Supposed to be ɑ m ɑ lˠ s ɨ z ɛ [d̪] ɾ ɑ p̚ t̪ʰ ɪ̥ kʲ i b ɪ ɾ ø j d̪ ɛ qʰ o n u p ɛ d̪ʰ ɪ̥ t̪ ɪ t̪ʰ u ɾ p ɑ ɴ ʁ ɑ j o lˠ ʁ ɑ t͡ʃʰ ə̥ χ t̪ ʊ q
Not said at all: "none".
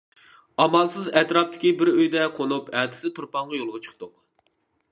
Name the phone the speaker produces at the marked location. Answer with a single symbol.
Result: t̪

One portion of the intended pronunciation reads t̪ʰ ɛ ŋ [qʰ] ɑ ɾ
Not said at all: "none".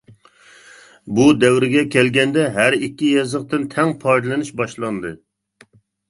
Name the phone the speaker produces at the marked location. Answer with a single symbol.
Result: pʰ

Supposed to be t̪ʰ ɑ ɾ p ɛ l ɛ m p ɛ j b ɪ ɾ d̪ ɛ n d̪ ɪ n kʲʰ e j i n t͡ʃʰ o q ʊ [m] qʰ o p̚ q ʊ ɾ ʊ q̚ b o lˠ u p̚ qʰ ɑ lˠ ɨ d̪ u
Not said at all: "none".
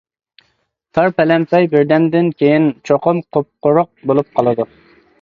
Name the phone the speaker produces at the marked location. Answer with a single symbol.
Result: m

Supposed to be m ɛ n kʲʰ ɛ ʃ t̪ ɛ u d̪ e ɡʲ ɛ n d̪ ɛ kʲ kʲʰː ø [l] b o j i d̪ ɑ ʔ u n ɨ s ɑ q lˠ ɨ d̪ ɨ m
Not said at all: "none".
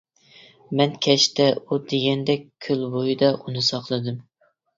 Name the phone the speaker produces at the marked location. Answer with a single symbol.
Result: l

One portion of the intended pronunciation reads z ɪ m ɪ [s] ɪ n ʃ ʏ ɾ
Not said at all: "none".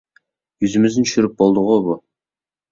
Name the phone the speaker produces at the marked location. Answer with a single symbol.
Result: z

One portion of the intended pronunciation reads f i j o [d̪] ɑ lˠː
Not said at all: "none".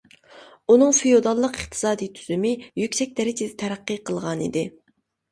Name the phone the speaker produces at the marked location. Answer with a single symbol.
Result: d̪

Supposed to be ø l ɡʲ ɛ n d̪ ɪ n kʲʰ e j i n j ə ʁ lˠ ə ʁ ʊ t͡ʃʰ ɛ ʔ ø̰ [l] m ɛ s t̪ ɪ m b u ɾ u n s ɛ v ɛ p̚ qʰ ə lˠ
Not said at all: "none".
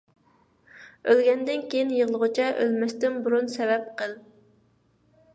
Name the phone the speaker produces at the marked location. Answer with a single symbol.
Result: l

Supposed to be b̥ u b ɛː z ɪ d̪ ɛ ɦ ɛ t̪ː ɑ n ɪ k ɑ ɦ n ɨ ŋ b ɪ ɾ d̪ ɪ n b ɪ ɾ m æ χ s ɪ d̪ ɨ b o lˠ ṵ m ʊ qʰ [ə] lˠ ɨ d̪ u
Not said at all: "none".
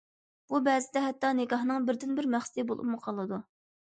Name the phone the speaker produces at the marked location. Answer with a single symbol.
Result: ɑ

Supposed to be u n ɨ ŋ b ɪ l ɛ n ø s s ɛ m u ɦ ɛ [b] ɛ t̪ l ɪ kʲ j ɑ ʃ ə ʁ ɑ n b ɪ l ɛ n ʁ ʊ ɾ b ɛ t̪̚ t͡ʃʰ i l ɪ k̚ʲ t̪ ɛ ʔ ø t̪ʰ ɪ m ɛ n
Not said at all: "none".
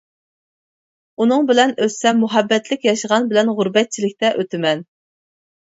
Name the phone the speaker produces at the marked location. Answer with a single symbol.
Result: bː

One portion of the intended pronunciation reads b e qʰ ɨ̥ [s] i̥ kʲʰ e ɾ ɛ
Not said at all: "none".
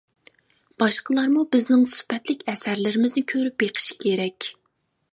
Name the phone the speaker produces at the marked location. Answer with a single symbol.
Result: ʃ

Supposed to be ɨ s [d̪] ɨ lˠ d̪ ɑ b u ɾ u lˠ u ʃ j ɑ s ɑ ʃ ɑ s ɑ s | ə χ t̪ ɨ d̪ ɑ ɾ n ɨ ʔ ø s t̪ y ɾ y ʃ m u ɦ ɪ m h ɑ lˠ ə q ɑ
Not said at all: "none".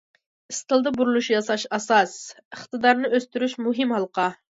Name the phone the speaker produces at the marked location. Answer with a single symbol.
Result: t̪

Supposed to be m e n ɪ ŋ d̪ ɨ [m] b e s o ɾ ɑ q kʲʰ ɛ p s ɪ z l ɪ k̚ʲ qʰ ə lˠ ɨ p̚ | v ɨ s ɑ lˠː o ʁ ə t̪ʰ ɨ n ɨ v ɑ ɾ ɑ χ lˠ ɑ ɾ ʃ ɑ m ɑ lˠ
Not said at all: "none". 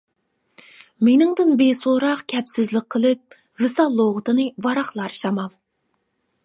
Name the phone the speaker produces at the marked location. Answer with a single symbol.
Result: n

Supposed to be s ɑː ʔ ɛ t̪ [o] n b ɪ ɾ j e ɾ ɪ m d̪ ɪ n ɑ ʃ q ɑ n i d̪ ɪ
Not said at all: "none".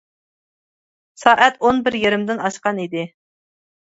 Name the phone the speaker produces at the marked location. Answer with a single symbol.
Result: o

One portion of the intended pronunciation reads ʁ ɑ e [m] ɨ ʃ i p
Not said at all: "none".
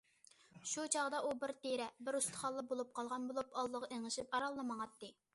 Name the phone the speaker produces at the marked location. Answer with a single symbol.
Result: ŋ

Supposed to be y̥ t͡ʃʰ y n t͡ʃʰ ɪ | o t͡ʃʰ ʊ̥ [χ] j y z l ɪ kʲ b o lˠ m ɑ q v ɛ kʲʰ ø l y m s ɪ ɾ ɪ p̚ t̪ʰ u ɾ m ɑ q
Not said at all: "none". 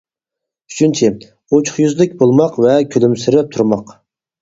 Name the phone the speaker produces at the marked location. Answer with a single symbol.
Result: χ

